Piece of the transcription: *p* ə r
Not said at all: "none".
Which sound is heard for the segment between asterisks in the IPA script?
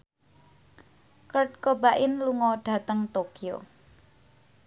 k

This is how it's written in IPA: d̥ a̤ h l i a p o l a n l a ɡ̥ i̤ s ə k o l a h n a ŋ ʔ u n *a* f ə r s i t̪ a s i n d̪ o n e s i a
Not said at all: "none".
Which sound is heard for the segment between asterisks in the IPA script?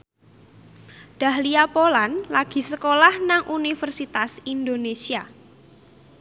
i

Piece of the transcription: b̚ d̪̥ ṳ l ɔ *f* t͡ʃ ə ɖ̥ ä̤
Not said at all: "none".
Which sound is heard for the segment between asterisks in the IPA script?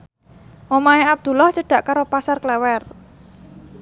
h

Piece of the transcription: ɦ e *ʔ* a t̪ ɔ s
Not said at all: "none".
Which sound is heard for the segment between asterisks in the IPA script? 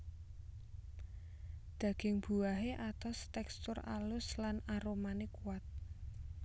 ʔ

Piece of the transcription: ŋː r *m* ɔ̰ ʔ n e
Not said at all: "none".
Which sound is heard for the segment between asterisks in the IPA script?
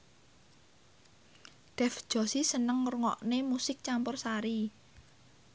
ŋ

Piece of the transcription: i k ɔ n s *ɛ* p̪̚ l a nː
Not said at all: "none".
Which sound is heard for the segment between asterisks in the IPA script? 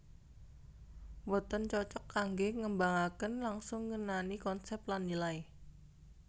ɛ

